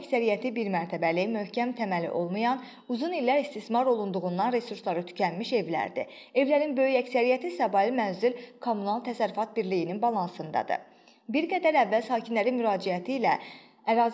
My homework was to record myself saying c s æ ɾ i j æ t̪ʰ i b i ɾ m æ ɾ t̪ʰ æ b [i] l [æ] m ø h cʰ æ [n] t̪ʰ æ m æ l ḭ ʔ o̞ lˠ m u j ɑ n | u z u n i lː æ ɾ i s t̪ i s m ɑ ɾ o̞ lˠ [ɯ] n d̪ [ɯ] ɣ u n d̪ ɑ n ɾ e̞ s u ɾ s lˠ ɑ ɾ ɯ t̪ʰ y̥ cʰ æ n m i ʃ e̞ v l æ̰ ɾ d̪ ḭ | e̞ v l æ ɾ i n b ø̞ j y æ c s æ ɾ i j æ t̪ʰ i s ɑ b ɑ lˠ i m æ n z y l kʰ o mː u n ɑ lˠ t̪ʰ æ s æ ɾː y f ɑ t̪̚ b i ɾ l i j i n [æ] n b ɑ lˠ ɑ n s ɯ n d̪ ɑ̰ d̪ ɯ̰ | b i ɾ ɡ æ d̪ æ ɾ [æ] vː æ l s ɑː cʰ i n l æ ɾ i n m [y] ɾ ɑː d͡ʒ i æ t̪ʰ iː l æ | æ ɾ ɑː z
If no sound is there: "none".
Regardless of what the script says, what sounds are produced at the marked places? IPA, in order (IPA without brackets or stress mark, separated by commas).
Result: æ, i, m, u, u, i, æ, y